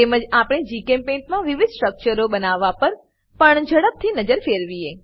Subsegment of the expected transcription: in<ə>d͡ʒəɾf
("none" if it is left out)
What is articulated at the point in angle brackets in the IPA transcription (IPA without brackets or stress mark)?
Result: ə